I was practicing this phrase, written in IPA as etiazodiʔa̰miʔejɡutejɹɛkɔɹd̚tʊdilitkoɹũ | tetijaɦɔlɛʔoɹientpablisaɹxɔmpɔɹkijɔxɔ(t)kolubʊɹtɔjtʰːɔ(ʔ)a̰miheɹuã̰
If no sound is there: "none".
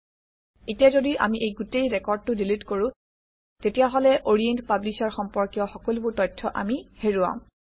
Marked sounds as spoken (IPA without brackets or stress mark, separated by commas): none, ʔ